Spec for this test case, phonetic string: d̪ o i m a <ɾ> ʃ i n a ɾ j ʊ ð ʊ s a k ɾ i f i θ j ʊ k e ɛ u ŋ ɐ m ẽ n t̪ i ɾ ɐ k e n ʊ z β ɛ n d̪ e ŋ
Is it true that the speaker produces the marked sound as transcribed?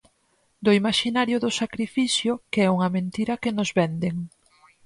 no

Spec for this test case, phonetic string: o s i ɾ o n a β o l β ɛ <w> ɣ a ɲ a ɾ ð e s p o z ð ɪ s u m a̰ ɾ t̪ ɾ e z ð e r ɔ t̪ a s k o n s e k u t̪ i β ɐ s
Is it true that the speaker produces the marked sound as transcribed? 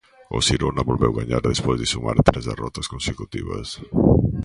yes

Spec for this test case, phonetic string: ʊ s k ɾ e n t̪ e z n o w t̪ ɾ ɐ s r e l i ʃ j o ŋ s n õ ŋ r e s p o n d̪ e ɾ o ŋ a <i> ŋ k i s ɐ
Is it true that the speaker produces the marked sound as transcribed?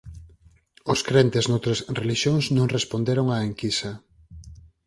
no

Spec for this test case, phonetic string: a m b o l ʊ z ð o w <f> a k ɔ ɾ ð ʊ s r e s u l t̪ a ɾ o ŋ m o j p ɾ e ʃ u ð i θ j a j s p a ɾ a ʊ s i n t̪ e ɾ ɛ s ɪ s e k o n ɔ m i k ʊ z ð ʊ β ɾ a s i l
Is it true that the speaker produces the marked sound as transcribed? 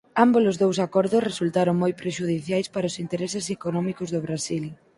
no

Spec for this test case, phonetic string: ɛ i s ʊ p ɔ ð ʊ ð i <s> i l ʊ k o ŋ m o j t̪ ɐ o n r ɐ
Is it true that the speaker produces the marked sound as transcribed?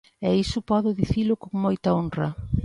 no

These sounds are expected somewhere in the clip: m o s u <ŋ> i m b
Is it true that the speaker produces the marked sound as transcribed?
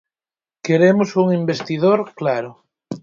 yes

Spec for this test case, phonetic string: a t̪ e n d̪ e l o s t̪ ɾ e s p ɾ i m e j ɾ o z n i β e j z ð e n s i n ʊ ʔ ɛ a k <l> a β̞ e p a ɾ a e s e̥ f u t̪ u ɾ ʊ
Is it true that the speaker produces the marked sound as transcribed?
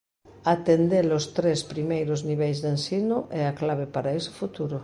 yes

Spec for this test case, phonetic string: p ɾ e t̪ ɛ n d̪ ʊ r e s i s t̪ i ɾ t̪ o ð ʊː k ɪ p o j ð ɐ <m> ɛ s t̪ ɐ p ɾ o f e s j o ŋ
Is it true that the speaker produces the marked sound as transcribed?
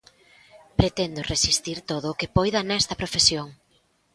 no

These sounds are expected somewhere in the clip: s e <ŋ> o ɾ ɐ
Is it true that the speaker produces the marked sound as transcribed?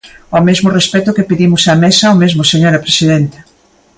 no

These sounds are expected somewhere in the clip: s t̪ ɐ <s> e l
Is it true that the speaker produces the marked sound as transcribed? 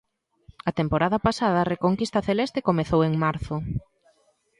no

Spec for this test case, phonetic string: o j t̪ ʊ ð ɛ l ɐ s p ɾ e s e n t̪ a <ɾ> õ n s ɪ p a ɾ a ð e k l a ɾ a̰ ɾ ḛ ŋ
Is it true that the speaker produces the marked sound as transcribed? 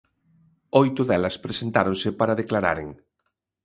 yes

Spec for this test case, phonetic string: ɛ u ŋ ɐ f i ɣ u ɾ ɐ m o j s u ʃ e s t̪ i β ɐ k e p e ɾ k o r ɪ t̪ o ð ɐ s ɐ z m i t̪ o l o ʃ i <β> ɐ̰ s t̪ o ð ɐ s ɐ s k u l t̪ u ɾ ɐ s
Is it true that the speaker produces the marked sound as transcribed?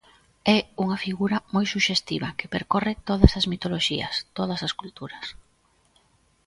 no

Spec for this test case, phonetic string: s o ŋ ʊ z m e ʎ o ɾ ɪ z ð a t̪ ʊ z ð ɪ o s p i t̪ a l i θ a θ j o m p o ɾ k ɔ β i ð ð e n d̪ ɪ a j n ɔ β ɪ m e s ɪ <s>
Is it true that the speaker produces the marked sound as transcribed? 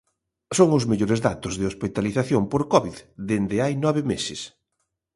yes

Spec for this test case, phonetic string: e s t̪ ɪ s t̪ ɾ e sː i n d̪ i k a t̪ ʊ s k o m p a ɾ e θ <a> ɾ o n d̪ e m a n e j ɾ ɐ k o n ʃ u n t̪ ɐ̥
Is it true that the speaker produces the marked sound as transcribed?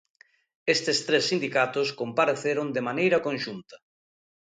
no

